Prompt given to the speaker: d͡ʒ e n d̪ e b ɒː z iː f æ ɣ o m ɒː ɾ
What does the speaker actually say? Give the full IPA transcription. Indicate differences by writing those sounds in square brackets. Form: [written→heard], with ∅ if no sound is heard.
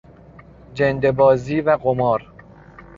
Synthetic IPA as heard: d͡ʒ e n d̪ e b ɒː z iː [f→v] æ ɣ o m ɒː ɾ